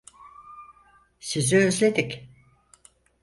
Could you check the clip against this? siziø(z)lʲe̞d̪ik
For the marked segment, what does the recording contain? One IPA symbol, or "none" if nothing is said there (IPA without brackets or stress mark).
z